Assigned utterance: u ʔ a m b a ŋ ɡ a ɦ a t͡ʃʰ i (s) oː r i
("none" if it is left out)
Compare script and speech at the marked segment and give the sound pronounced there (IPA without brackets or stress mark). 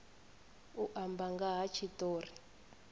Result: t